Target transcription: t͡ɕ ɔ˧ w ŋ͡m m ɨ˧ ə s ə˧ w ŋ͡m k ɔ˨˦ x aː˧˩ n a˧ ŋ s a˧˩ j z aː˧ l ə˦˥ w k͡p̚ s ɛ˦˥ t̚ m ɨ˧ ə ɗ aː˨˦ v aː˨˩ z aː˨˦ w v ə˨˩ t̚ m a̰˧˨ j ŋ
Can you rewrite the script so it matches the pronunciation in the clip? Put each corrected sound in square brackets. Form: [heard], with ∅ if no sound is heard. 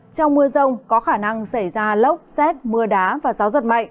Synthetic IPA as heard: t͡ɕ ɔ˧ w ŋ͡m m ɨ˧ ə [z] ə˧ w ŋ͡m k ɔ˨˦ x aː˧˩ n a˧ ŋ s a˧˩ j z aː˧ l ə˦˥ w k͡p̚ s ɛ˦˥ t̚ m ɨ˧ ə ɗ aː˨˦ v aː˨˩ z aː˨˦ w [z] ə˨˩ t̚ m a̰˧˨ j ŋ